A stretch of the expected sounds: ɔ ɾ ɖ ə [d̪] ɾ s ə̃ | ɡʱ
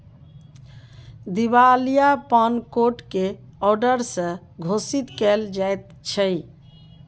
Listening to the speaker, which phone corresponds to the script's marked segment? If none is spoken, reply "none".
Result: none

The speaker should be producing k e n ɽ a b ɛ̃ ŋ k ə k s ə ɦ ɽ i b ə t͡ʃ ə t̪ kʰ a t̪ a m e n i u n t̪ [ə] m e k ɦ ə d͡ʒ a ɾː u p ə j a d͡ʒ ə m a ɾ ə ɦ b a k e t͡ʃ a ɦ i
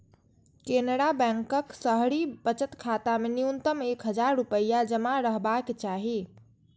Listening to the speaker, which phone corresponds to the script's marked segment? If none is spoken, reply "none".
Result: ə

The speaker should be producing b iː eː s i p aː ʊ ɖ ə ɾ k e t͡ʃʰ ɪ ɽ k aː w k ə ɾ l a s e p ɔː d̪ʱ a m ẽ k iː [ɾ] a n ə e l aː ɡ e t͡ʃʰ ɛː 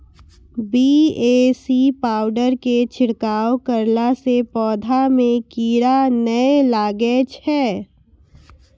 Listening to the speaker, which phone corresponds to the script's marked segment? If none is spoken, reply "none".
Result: ɾ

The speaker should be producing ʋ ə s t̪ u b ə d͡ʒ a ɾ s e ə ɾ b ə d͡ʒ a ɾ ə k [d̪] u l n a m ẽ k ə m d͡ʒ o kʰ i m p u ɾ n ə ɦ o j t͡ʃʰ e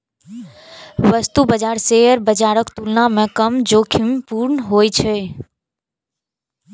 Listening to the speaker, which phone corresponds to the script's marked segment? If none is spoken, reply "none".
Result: t̪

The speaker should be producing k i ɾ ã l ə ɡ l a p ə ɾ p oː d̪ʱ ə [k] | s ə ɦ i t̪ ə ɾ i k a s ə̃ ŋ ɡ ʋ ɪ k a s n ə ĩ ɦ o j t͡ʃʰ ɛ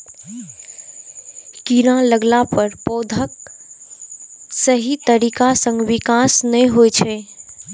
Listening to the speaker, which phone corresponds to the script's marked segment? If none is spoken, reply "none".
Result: k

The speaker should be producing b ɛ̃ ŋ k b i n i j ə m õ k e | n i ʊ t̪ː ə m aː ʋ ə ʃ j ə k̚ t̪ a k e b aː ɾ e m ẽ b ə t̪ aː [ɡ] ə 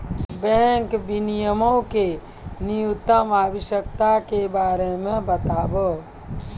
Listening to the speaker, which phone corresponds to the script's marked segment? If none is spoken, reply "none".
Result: b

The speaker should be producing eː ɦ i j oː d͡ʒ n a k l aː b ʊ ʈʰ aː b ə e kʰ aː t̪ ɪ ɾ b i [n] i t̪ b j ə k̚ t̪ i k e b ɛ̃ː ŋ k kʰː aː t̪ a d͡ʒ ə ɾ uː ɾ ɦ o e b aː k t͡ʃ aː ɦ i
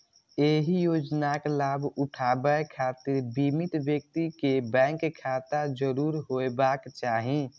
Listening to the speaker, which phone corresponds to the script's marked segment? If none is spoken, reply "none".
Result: m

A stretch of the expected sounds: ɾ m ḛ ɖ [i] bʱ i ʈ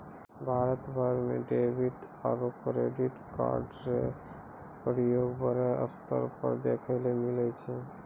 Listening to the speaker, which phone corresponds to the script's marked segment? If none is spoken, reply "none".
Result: e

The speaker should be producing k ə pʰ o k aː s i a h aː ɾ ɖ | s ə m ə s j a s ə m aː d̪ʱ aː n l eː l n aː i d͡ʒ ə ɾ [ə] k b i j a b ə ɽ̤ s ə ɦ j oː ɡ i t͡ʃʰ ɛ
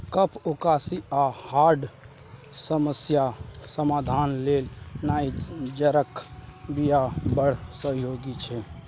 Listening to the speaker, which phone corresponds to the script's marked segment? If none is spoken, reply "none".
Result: ə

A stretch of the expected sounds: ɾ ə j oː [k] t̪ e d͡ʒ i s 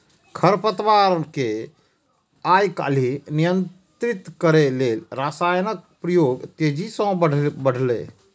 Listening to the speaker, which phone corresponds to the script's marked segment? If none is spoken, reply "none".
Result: ɡ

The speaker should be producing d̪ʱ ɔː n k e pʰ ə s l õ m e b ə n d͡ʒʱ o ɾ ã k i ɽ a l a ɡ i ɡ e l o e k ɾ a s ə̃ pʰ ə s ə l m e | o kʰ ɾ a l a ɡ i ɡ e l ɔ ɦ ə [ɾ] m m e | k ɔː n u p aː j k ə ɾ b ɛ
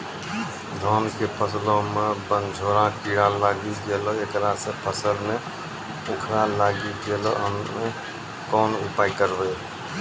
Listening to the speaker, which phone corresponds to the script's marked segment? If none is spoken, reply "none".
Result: none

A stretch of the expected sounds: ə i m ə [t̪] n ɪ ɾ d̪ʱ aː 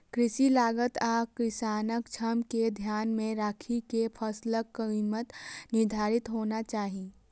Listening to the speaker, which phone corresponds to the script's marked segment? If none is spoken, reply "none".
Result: t̪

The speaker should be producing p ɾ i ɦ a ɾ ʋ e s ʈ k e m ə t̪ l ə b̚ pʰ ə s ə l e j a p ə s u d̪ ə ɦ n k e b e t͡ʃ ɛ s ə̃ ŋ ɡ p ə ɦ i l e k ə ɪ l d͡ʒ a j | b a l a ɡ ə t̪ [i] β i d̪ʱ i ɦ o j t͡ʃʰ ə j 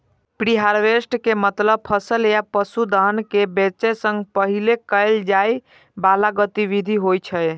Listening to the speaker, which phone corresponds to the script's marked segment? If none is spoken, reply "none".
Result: i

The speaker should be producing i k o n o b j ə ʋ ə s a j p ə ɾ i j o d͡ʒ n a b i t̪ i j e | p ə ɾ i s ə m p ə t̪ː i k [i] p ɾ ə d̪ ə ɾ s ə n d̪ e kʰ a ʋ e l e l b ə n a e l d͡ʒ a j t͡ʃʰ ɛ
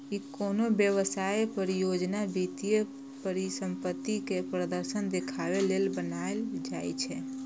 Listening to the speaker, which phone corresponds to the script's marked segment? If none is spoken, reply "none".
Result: e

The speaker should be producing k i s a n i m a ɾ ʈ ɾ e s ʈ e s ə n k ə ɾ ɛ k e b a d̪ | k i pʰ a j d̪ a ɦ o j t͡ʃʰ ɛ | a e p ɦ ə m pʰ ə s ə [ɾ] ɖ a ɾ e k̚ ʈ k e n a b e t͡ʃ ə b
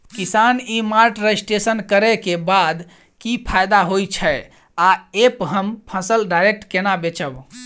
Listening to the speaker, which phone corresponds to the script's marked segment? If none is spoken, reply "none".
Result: l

